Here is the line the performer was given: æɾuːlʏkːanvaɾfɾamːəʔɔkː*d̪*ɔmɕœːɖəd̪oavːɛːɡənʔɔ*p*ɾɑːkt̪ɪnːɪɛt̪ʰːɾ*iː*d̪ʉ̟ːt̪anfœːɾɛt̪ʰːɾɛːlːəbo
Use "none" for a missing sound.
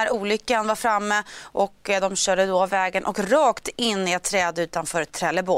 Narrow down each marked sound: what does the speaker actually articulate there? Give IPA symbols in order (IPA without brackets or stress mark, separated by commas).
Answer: d̪, k, ɛː